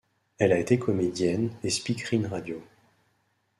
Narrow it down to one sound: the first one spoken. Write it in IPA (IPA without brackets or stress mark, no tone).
ɛ